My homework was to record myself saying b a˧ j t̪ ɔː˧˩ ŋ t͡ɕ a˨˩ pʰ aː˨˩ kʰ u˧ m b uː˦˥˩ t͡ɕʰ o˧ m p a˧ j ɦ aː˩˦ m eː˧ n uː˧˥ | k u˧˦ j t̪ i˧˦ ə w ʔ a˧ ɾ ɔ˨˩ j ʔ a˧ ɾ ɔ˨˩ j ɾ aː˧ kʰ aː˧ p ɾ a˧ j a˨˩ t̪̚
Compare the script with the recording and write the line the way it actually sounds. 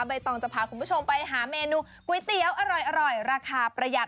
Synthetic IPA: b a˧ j t̪ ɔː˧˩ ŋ t͡ɕ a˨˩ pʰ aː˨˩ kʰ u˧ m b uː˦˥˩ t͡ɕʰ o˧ m p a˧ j ɦ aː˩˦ m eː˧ n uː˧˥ | k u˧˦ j t̪ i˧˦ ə w ʔ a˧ ɾ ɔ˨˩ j ʔ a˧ ɾ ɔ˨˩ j ɾ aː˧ kʰ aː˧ p ɾ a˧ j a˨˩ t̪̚